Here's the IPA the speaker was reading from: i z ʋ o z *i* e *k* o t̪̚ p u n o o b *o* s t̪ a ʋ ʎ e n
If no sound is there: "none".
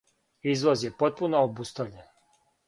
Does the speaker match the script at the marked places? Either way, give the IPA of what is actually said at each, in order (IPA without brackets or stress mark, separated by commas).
j, p, u